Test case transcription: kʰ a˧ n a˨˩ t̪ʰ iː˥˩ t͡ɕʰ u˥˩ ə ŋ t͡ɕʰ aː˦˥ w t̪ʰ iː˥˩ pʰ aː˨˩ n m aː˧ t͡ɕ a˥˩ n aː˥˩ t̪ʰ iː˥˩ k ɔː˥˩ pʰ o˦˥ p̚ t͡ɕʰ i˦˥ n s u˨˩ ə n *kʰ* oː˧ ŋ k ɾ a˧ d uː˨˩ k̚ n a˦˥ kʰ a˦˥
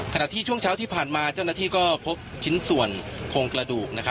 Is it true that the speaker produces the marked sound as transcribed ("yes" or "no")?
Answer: yes